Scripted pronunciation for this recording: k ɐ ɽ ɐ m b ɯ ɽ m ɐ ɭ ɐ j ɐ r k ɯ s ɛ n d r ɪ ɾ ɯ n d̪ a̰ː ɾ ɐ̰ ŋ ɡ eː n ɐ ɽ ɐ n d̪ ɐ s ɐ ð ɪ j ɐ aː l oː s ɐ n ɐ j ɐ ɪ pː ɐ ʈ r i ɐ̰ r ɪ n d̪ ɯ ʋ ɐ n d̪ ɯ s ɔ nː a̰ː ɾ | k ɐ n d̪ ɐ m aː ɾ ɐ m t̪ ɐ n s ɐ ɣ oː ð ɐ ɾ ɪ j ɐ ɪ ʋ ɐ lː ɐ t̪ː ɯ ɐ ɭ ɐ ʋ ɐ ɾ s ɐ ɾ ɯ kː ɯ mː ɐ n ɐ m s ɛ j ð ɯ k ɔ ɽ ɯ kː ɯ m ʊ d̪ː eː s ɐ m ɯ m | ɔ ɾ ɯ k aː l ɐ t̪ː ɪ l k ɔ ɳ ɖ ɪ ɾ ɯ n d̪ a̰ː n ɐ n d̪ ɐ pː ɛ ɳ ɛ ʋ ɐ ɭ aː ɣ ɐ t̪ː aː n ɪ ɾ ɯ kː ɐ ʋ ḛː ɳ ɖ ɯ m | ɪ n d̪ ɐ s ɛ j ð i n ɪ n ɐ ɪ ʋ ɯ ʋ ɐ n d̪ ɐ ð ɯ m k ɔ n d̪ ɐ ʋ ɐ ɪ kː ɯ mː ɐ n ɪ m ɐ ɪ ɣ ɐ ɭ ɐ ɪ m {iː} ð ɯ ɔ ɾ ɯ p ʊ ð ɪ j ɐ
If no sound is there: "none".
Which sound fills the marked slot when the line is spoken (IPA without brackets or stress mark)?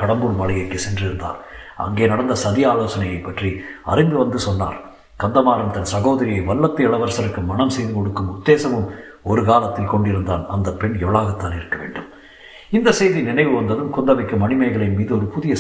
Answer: iː